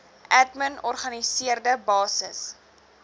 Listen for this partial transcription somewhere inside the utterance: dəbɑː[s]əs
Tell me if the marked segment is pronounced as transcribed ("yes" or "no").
yes